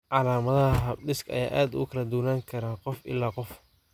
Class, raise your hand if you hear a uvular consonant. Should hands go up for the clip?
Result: yes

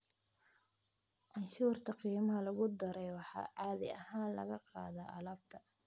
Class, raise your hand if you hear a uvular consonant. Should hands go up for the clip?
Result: yes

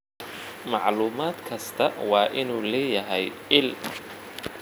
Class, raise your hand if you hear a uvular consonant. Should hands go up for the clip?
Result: no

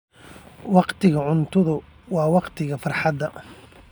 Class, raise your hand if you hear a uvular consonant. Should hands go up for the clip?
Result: yes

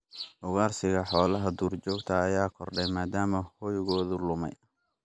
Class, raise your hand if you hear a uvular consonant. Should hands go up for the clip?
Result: no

